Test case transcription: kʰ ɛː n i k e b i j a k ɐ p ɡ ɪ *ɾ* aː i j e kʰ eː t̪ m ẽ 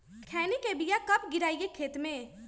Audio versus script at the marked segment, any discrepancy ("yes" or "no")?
no